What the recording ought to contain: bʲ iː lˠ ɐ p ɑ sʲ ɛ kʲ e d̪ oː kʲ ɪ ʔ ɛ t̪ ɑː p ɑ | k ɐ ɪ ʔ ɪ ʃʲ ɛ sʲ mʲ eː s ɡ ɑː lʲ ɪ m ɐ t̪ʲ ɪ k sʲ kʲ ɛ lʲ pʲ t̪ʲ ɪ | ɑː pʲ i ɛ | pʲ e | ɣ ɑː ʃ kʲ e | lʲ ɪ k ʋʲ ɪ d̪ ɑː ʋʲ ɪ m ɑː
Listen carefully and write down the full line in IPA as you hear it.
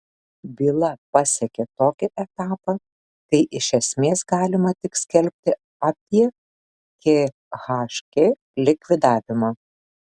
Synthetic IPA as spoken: bʲ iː lˠ ɐ p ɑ sʲ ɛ kʲ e t̪ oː kʲ ɪ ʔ ɛ t̪ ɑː p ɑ | k ɐ ɪ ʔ ɪ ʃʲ ɛ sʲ mʲ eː s ɡ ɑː lʲ ɪ m ɐ t̪ʲ ɪ k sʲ kʲ ɛ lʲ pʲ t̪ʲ ɪ | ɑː pʲ i ɛ | kʲ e | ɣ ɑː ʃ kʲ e | lʲ ɪ k ʋʲ ɪ d̪ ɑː ʋʲ ɪ m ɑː

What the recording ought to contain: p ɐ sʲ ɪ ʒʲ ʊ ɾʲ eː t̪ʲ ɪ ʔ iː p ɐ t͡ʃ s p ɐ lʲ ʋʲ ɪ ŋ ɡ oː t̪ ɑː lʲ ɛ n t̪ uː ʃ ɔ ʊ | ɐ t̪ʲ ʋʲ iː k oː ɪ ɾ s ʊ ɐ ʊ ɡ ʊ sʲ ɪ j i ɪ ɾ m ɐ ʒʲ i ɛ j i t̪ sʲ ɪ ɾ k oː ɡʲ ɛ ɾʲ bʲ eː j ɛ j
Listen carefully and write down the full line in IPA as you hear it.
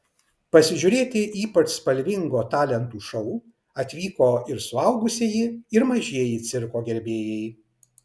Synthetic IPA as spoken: p ɐ sʲ ɪ ʒʲ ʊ ɾʲ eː t̪ʲ ɪ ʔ iː p ɐ t͡ʃ s p ɐ lʲ ʋʲ ɪ ŋ ɡ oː t̪ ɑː lʲ ɛ n t̪ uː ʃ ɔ ʊ | ɐ t̪ʲ ʋʲ iː k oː ɪ ɾ s ʊ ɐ ʊ ɡ ʊ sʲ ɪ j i ɪ ɾ m ɐ ʒʲ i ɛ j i t̪ sʲ ɪ ɾ k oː ɡʲ ɛ ɾʲ bʲ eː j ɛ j

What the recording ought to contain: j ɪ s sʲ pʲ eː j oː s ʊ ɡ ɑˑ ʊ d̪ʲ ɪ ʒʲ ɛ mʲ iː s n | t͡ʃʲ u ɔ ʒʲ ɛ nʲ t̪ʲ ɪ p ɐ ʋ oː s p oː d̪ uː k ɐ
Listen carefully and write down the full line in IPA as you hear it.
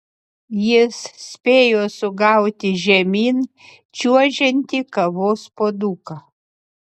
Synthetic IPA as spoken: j ɪ s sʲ pʲ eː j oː s ʊ ɡ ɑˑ ʊ t̪ʲ ɪ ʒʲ ɛ mʲ iː n | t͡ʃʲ u ɔ ʒʲ ɛ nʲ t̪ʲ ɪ k ɐ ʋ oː s p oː d̪ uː k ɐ

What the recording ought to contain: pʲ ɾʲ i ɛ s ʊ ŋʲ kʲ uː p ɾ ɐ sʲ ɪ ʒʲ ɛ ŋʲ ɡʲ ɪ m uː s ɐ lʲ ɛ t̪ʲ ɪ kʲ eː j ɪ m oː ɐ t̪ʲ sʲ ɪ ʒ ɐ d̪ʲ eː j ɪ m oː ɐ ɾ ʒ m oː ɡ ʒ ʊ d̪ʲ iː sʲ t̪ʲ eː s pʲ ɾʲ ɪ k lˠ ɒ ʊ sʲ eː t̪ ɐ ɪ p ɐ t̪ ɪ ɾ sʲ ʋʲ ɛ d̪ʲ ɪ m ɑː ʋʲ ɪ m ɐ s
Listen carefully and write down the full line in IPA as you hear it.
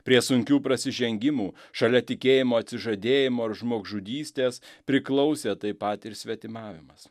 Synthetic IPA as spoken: pʲ ɾʲ i ɛ s ʊ ŋʲ kʲ uː p ɾ ɐ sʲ ɪ ʒʲ ɛ ŋʲ ɡʲ ɪ m uː ʃ ɐ lʲ ɛ t̪ʲ ɪ kʲ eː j ɪ m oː ɐ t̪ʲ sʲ ɪ ʒ ɐ d̪ʲ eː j ɪ m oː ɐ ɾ ʒ m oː ɡ ʒ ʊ d̪ʲ iː sʲ t̪ʲ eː s pʲ ɾʲ ɪ k lˠ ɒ ʊ sʲ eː t̪ ɐ ɪ p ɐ t̪ ɪ ɾ sʲ ʋʲ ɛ t̪ʲ ɪ m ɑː ʋʲ ɪ m ɐ s

